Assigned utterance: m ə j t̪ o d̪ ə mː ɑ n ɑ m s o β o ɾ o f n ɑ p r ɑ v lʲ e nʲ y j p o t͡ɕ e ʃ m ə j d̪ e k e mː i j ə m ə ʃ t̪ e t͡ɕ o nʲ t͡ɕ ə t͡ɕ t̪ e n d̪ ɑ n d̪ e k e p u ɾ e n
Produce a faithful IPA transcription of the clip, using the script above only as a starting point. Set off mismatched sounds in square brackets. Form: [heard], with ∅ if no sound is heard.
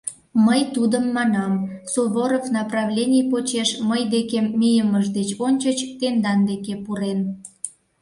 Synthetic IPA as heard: m ə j t̪ [u] d̪ ə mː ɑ n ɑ m s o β o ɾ o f n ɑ p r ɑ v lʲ e nʲ [i] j p o t͡ɕ e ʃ m ə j d̪ e k e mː i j ə m ə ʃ [d̪] e t͡ɕ o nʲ t͡ɕ ə t͡ɕ t̪ e n d̪ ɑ n d̪ e k e p u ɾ e n